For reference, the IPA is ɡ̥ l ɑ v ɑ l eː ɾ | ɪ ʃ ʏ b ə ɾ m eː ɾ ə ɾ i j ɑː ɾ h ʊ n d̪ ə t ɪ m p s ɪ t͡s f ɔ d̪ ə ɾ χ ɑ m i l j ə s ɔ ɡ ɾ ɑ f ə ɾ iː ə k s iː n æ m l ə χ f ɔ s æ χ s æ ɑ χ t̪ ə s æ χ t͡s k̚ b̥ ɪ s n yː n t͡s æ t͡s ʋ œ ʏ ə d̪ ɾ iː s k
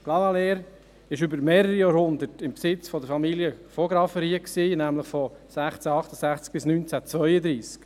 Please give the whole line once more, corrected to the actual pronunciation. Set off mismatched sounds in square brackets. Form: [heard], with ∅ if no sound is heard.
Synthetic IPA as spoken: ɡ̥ l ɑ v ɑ l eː ɾ | ɪ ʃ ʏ b ə ɾ m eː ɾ ə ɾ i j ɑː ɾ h ʊ n d̪ ə t ɪ m p s ɪ t͡s f ɔ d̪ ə ɾ [f] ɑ m i l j ə [f] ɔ ɡ ɾ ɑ f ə ɾ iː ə k s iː n æ m l ə χ f ɔ s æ χ [t͡s] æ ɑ χ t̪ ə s æ χ t͡s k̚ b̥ ɪ s n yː n t͡s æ t͡s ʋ œ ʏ ə d̪ ɾ iː s k